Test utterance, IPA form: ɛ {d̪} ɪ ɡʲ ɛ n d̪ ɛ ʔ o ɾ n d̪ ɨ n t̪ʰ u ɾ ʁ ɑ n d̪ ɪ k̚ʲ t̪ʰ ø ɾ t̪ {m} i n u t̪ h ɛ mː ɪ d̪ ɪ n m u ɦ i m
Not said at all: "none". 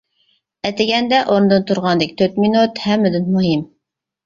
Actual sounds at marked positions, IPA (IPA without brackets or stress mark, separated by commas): t̪, m